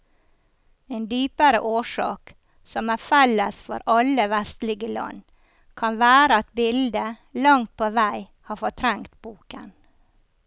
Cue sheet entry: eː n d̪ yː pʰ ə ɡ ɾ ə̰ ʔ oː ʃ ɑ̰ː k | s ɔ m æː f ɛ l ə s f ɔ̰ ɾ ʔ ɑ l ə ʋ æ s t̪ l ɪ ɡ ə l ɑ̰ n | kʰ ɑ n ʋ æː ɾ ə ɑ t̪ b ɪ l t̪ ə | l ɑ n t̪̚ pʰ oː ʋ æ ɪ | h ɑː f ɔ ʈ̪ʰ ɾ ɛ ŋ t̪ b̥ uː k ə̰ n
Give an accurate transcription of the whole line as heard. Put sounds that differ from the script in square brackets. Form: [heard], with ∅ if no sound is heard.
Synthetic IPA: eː n d̪ yː [p] ə [∅] ɾ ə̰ ʔ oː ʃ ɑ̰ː k | s ɔ m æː f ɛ l ə s f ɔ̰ ɾ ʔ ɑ l ə ʋ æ s t̪ l ɪ ɡ ə l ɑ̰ n | kʰ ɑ n ʋ æː ɾ ə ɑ t̪ b ɪ l [d̪] ə | l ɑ [ŋ] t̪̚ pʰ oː ʋ æ ɪ | h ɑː f ɔ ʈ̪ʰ ɾ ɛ ŋ t̪ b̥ uː k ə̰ n